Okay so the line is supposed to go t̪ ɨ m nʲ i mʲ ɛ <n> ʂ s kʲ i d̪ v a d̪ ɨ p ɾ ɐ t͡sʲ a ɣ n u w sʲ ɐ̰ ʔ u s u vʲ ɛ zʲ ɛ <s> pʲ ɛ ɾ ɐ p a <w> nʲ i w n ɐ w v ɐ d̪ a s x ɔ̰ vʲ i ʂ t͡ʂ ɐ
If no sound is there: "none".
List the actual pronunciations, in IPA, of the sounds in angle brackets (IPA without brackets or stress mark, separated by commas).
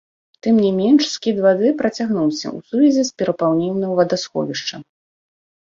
n, s, w